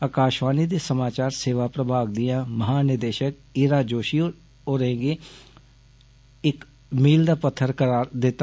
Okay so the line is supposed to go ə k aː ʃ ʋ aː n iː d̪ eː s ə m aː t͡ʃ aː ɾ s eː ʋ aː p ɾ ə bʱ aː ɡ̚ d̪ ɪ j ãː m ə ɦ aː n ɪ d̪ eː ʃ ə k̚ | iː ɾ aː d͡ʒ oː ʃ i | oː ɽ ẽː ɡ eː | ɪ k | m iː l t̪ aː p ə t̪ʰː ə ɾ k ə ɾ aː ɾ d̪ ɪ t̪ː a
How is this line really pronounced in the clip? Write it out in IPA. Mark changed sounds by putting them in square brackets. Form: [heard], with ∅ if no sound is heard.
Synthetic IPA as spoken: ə k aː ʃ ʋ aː n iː d̪ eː s ə m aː t͡ʃ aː ɾ s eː ʋ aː p ɾ ə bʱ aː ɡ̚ d̪ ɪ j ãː m ə ɦ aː n ɪ d̪ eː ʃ ə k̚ | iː ɾ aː d͡ʒ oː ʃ i | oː [ɾ] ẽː ɡ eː | ɪ k | m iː l [d̪] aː p ə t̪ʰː ə ɾ k ə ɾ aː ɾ d̪ ɪ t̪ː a